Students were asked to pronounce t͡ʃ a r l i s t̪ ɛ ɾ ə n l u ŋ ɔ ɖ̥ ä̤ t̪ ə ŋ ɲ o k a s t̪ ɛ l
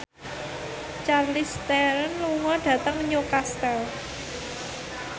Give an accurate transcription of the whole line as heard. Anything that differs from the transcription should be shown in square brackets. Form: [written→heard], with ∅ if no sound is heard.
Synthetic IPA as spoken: t͡ʃ a r l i s t̪ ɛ ɾ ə n l u ŋ ɔ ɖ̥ ä̤ t̪ ə ŋ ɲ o k a s t̪ ɛ l